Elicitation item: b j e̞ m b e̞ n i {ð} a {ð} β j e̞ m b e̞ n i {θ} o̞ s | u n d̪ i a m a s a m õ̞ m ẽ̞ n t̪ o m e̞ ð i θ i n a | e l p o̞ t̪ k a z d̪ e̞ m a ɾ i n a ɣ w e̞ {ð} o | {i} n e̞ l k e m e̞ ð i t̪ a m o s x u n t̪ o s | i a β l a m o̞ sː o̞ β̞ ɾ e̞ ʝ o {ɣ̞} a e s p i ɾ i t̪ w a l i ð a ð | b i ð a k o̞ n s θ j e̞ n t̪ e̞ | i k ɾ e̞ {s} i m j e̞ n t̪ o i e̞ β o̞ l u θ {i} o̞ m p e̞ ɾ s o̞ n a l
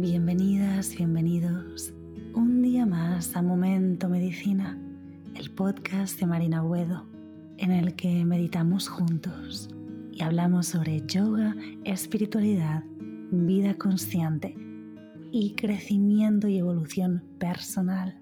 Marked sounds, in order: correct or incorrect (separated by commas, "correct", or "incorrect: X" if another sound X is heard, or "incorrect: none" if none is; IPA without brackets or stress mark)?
correct, incorrect: z, incorrect: ð, correct, incorrect: e, correct, incorrect: θ, incorrect: j